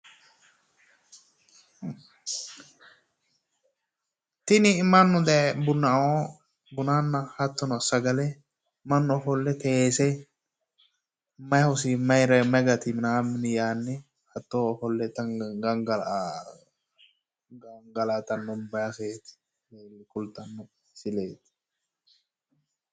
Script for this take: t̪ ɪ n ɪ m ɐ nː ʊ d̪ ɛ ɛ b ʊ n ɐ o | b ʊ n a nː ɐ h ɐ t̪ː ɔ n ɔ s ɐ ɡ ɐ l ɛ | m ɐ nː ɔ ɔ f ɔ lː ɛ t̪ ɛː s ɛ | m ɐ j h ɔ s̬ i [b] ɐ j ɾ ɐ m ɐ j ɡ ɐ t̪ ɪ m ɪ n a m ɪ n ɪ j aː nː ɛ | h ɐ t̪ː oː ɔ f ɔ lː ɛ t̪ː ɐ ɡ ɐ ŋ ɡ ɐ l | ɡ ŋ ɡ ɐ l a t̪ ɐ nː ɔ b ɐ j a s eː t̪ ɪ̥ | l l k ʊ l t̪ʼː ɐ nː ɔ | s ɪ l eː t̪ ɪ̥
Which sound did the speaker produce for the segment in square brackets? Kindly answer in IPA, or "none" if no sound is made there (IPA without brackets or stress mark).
m